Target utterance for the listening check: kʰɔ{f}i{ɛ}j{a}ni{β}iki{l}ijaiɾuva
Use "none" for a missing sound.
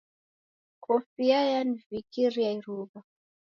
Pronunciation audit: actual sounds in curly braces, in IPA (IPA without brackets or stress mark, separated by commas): f, a, a, v, ɾ